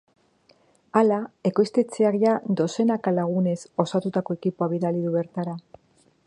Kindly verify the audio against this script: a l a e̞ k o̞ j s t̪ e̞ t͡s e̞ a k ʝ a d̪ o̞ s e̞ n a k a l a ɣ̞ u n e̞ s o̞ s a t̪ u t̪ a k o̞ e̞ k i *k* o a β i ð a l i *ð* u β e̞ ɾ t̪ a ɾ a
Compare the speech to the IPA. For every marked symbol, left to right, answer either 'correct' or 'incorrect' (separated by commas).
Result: incorrect, correct